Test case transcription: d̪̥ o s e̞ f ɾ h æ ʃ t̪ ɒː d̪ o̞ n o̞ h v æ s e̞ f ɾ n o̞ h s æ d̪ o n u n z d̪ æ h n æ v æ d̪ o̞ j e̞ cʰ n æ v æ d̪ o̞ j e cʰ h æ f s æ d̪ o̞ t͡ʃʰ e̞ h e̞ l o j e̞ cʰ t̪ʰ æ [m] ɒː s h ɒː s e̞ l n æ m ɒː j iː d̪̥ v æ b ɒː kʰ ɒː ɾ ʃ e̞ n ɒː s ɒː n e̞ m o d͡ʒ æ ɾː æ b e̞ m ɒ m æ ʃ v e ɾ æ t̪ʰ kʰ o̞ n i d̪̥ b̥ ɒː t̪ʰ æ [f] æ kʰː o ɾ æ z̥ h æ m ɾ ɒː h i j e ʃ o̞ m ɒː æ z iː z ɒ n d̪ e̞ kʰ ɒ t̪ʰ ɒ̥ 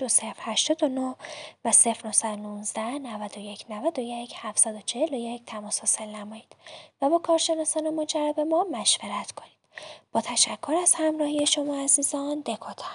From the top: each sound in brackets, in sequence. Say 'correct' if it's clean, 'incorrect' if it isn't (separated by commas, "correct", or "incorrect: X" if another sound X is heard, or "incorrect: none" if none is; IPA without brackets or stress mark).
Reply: correct, incorrect: ʃ